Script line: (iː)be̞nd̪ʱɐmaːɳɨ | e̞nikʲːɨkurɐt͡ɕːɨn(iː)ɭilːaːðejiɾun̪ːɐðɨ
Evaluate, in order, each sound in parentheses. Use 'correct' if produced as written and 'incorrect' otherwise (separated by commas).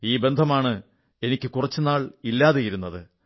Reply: correct, incorrect